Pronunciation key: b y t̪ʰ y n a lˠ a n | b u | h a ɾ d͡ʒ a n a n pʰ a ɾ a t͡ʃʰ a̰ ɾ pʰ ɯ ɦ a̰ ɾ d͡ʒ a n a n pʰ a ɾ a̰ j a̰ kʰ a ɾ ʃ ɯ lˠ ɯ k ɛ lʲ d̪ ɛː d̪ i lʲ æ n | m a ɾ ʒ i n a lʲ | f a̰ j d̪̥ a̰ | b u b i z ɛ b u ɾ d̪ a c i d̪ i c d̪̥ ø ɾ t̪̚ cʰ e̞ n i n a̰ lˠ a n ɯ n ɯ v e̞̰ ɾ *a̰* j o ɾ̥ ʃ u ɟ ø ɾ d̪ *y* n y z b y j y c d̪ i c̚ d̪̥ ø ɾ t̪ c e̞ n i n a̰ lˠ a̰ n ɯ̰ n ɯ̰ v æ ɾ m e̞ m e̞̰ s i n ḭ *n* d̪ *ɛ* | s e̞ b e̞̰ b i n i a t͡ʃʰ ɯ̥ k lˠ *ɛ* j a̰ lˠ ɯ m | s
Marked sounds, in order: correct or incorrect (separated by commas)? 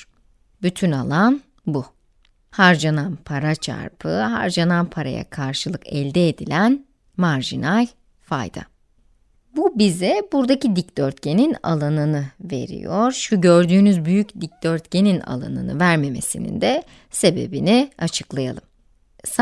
incorrect, incorrect, correct, correct, incorrect